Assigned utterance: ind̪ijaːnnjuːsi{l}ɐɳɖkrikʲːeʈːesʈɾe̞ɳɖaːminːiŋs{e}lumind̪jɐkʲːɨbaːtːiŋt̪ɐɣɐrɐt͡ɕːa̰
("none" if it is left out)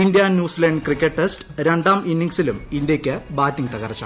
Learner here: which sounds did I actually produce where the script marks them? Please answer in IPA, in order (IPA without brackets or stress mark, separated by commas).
l, i